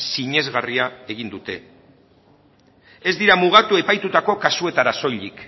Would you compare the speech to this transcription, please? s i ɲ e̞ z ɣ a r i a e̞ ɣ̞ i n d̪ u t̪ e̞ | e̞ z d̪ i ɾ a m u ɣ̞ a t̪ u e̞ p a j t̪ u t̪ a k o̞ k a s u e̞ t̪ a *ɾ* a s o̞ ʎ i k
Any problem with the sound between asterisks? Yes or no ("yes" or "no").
no